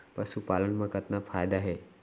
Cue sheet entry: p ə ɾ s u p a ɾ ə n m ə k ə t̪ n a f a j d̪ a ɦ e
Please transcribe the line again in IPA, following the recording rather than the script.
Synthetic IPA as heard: p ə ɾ s u p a l ə n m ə k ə t̪ n a f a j d̪ a ɦ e